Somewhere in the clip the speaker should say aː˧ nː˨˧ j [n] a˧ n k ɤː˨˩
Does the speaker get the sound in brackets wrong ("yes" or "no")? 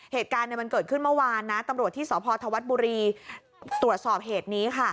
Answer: yes